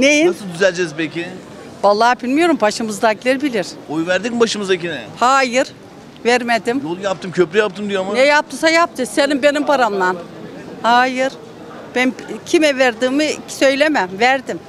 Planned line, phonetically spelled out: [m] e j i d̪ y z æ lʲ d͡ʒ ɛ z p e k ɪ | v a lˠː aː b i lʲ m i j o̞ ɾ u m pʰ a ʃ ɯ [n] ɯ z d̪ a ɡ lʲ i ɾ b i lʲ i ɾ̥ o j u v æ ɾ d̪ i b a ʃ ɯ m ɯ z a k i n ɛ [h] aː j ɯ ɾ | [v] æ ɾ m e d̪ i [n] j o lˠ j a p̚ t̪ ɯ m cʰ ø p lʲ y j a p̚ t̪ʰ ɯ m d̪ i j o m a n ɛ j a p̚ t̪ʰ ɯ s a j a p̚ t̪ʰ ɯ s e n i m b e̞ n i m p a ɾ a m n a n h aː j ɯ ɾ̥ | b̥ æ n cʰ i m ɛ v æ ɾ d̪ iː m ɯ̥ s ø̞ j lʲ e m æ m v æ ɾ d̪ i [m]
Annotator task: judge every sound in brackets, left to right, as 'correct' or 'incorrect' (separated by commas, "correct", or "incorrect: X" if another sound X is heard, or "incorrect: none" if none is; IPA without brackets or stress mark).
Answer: incorrect: n, incorrect: m, correct, correct, incorrect: m, correct